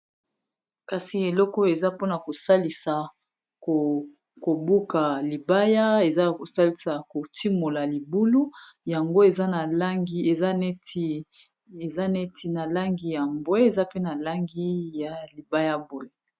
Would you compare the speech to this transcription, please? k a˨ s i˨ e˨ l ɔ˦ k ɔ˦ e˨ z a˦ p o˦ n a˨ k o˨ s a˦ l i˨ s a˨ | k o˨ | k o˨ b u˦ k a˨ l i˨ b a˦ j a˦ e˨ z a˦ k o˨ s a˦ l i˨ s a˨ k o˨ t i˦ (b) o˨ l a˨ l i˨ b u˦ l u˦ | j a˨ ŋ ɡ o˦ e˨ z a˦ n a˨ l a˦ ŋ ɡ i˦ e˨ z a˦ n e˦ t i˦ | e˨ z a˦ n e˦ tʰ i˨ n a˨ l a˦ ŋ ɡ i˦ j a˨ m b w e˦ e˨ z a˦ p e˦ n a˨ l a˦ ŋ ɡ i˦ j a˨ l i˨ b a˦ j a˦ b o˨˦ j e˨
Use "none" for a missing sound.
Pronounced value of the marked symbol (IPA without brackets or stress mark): m